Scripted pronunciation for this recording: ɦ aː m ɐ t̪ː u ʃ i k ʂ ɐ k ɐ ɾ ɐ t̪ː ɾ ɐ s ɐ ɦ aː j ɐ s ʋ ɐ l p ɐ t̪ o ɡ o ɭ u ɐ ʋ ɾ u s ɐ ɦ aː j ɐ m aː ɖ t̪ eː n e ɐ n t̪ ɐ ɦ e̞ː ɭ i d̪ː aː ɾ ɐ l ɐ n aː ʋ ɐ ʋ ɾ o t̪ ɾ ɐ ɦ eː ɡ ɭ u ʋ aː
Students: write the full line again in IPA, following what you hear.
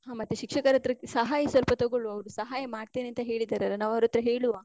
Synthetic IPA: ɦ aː m ɐ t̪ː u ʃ i k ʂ ɐ k ɐ ɾ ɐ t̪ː ɾ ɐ s ɐ ɦ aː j ɐ s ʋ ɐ l p ɐ t̪ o ɡ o ɭ u ɐ ʋ ɾ u s ɐ ɦ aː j ɐ m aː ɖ t̪ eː n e ɐ n t̪ ɐ ɦ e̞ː ɭ i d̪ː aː ɾ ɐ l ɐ n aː ʋ ɐ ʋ ɾ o t̪ ɾ ɐ ɦ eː ɭ u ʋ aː